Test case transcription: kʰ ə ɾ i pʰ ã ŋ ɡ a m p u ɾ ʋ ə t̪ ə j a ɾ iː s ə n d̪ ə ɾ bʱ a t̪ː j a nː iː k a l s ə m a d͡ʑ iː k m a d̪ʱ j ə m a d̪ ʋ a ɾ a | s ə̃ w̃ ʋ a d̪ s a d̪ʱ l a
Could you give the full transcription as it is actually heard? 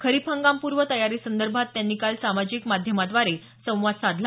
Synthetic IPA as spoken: kʰ ə ɾ i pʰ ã ŋ ɡ a m p u ɾ ʋ ə t̪ ə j a ɾ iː s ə n d̪ ə ɾ bʱ a t̪ː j a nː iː k a l s a m a d͡ʑ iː k m a d̪ʱ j ə m a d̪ ʋ a ɾ e | s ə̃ w̃ ʋ a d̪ s a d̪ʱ l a

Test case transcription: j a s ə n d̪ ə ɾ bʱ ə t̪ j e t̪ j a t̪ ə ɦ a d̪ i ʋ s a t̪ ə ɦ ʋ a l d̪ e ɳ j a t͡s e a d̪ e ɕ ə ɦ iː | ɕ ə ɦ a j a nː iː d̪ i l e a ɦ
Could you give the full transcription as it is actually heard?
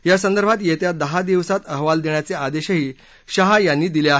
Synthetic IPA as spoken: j a s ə n d̪ ə ɾ bʱ a t̪ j e t̪ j a d̪ ə ɦ a d̪ i ʋ s a t̪ ə ɦ ʋ a l d̪ e ɳ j a t͡s e a d̪ e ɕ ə ɦ iː | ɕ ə ɦ a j a nː iː d̪ i l e a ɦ

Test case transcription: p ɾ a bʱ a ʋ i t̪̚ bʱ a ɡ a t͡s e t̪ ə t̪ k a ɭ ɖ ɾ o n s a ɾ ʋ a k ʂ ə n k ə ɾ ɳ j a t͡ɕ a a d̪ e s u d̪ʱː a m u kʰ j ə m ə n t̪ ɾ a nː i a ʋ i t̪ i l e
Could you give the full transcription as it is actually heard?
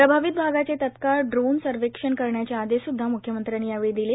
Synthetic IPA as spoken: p ɾ ə bʱ a ʋ i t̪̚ bʱ a ɡ a t͡s e t̪ ə t̪ k a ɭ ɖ ɾ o n s ə ɾ ʋ e k ʂ ə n k ə ɾ ɳ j a t͡ɕ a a d̪ e s u d̪ʱː a m u kʰ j ə m ə n t̪ ɾ a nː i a ʋ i d̪ i l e

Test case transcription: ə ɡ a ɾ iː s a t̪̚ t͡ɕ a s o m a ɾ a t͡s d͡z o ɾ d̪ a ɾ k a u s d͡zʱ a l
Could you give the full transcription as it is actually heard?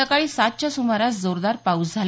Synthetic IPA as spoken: ə k a ɭ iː s a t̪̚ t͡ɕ a s u m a ɾ a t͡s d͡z o ɾ d̪ a ɾ p a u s d͡zʱ a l

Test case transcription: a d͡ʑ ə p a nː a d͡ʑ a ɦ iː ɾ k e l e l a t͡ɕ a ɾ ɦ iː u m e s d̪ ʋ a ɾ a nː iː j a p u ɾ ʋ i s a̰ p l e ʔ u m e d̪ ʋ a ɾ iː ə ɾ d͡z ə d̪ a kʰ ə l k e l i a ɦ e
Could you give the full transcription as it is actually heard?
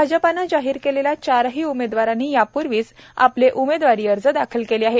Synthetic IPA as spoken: a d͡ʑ ə p a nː a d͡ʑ a ɦ iː ɾ k e l e l a t͡ɕ a ɾ ɦ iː u m e d̪ ʋ a ɾ a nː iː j a p u ɾ ʋ iː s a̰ p l e ʔ u m e d̪ ʋ a ɾ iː ə ɾ d͡z ə d̪ a kʰ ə l k e l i a ɦ e

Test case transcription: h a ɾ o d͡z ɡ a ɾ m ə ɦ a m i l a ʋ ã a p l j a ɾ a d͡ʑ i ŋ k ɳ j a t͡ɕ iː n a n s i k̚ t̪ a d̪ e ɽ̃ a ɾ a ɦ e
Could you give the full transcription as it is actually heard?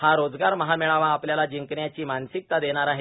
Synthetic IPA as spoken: h a ɾ o d͡z ɡ a ɾ m ə ɦ a m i ɭ a ʋ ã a p l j a l a d͡ʑ i ŋ k ɳ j a t͡ɕ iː m a n s i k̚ t̪ a d̪ e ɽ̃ a ɾ a ɦ e

